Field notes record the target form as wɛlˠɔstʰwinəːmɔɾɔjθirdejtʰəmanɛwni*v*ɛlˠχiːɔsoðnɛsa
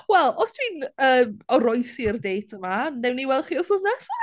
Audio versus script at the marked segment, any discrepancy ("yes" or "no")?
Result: yes